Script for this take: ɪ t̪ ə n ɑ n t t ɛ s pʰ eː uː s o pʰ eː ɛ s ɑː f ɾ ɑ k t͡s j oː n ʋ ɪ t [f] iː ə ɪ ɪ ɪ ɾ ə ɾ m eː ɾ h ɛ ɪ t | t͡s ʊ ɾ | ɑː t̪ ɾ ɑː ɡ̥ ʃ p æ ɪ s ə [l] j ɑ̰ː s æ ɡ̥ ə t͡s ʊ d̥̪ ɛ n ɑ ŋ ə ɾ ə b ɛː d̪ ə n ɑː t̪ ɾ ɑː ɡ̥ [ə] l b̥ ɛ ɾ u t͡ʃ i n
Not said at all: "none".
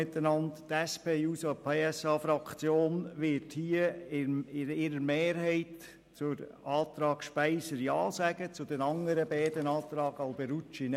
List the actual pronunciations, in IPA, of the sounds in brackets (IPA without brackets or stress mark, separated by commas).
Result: h, ɾ, ɑ